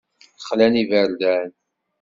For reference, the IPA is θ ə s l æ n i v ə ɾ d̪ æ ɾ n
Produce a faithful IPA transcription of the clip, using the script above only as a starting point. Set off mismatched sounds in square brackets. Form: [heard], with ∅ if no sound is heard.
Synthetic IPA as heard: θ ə [χ] l æ n i v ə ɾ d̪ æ [∅] n